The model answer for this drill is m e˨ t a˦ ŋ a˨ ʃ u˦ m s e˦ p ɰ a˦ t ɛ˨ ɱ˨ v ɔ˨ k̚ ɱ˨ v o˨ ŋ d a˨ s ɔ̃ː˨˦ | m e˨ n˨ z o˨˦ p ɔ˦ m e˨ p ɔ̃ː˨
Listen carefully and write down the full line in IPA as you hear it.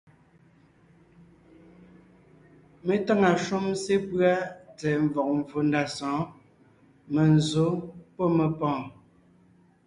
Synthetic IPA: m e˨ t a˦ ŋ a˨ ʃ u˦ m s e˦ p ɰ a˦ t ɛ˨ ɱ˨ v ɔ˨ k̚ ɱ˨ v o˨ n d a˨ s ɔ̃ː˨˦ | m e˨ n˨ z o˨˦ p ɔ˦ m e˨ p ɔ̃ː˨

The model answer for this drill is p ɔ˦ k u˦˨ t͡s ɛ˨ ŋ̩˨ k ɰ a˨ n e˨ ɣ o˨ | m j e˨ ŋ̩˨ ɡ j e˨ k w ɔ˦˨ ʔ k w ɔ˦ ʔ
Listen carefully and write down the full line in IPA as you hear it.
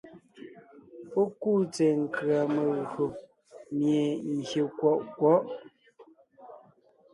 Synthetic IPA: p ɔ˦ k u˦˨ t͡s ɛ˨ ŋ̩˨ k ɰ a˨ m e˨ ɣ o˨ | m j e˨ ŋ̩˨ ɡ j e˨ k w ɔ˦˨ ʔ k w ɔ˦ ʔ

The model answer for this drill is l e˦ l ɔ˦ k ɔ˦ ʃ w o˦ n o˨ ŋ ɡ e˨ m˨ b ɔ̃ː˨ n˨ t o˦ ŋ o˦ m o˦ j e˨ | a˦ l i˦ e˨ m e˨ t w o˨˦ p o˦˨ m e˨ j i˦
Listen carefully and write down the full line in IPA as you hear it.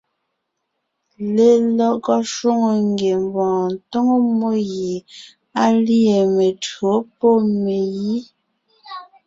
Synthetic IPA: l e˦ l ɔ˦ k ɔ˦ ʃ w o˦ ŋ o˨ ŋ ɡ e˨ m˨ b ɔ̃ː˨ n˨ t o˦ ŋ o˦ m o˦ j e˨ | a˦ l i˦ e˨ m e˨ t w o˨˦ p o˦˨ m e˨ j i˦

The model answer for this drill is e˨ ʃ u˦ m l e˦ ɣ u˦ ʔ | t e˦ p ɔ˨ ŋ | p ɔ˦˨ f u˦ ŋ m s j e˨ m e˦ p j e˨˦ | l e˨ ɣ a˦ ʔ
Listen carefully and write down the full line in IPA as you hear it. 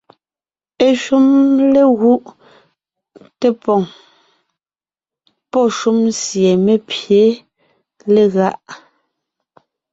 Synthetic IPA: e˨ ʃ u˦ m l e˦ ɣ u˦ ʔ | t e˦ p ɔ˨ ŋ | p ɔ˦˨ ʃ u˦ m s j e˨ m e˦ p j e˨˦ | l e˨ ɣ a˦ ʔ

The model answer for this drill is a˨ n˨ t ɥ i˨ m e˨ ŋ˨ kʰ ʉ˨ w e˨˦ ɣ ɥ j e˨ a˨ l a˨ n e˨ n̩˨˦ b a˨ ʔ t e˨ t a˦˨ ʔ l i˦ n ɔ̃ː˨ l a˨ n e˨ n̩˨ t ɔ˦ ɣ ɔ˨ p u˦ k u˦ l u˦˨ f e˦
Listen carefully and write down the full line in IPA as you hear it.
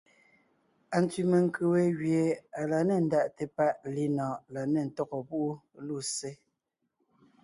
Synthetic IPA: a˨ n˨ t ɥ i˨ m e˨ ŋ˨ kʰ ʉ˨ w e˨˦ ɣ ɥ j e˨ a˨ l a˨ n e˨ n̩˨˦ d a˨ ʔ t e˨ p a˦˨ ʔ l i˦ n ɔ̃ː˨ l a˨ n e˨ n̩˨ t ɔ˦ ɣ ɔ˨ p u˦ ʔ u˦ l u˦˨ s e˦

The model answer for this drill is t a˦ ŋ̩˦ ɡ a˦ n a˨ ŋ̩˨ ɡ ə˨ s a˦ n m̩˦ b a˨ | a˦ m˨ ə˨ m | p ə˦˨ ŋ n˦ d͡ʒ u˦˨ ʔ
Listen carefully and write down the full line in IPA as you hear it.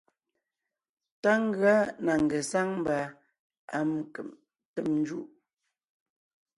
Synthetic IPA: t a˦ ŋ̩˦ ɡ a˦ n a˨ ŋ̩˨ ɡ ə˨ s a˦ ŋ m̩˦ b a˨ | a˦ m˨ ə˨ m | t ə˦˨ m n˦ d͡ʒ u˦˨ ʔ

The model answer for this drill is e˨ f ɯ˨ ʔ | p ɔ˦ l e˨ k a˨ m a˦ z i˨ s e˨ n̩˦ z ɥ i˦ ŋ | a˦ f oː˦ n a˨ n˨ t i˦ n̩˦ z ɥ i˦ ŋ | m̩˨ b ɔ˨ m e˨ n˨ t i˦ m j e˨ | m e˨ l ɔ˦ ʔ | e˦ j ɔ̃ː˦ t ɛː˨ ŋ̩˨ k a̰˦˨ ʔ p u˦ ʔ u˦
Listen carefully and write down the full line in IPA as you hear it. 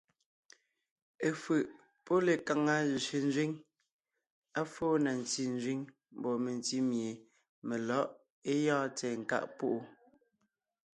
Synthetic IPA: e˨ f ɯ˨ ʔ | p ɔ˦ l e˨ k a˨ ŋ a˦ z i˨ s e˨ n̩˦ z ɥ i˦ ŋ | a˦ f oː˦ n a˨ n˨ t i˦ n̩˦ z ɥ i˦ ŋ | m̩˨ b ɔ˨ m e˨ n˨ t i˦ m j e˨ | m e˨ l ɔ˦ ʔ | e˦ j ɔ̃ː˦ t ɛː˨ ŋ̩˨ k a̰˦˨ ʔ p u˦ ʔ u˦

